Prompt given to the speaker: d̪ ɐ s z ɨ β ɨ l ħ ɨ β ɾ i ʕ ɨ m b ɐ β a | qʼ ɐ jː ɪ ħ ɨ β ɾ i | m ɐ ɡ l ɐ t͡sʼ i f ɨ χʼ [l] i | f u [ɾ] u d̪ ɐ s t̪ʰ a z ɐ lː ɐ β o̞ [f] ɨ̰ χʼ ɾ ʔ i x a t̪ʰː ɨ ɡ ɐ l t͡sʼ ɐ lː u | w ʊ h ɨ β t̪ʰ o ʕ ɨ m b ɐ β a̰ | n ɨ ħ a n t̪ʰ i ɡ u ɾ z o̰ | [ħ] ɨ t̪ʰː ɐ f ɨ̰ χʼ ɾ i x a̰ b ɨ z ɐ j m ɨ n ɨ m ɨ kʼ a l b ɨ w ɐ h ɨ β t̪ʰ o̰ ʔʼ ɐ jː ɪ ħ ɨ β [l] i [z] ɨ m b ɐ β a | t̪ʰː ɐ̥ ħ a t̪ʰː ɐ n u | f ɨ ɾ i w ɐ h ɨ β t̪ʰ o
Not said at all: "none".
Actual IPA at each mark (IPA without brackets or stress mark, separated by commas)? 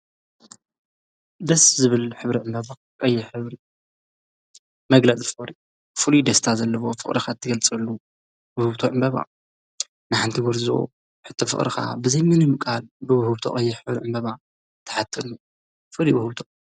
ɾ, l, f, ħ, ɾ, ʕ